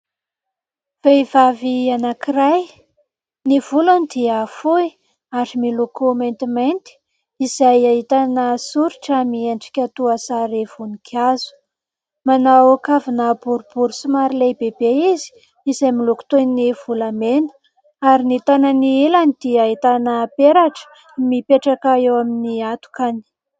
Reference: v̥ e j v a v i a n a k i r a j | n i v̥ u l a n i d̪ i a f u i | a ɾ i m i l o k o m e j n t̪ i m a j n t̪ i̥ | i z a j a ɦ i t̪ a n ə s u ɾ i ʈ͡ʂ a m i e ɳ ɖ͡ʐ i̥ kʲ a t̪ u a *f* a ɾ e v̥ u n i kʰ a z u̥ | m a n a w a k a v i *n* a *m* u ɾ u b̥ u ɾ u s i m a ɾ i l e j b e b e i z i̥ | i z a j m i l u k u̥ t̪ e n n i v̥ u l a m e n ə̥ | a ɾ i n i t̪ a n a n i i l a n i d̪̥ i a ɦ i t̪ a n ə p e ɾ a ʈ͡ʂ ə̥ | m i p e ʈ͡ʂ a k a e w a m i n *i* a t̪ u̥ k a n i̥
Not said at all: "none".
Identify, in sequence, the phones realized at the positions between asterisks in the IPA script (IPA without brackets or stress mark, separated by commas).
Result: s, n, b, i